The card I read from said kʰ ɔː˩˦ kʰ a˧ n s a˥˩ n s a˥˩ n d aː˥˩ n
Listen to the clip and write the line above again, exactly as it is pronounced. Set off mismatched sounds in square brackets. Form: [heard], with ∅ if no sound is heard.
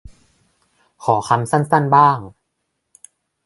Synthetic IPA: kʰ ɔː˩˦ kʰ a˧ [m] s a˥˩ n s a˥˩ n [b] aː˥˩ [ŋ]